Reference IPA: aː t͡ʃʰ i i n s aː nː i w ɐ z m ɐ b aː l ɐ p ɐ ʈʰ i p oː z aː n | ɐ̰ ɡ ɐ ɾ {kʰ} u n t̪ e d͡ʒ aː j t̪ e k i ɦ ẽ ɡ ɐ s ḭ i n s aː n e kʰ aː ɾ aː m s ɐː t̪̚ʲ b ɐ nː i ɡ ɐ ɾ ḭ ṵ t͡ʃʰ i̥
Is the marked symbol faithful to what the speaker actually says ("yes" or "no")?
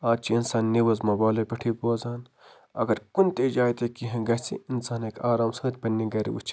no